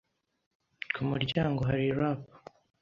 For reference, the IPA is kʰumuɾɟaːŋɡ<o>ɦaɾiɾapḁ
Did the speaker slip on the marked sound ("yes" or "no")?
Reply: no